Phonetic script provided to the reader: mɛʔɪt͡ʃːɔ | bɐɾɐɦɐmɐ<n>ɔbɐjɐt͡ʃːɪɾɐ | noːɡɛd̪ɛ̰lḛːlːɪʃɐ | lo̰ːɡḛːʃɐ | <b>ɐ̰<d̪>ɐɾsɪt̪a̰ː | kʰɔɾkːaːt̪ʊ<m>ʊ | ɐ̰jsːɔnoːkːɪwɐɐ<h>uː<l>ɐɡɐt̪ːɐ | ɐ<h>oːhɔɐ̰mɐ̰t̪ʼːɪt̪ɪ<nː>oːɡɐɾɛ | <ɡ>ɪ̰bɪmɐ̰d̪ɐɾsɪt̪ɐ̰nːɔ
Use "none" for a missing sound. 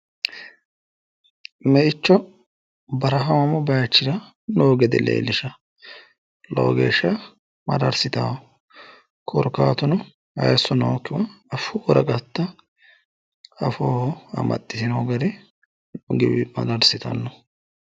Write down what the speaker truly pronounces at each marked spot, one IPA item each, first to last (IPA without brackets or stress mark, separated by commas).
m, m, d̪, n, f, ɾ, f, n, ɡ